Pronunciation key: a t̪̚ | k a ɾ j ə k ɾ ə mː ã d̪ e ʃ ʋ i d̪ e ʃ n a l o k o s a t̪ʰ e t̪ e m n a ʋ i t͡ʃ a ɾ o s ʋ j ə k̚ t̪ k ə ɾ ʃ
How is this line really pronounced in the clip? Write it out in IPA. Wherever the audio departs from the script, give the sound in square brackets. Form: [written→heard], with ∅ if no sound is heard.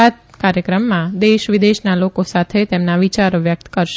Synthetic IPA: a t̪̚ | k a ɾ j ə k ɾ ə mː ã d̪ e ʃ ʋ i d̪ e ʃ n a l o k o s a t̪ʰ e t̪ e m n a ʋ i t͡ʃ a ɾ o [s→∅] ʋ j ə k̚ t̪ k ə ɾ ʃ